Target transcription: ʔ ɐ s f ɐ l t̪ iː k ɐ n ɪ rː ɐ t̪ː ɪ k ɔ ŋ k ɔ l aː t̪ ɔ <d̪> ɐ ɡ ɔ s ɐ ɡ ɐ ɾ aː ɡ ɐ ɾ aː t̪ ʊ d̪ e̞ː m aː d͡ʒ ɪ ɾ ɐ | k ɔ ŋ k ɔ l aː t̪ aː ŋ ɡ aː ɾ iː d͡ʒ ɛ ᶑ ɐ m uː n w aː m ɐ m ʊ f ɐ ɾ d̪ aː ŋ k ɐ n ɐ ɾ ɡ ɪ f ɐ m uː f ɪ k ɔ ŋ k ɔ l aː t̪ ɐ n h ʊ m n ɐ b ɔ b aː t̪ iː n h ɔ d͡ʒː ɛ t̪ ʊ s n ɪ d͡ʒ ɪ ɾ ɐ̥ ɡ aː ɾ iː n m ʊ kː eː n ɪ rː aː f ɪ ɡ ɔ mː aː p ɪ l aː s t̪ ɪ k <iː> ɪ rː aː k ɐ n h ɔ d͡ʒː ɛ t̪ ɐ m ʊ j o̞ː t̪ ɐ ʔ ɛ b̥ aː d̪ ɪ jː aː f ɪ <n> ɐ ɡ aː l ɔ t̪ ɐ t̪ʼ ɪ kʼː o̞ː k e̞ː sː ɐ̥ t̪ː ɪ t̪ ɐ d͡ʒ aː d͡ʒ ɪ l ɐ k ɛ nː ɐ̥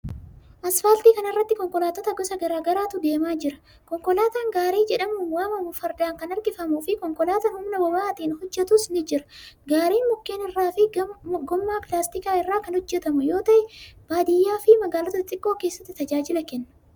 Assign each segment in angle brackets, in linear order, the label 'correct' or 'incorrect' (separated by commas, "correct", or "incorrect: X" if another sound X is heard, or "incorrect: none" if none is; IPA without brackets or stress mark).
incorrect: t̪, incorrect: aː, incorrect: m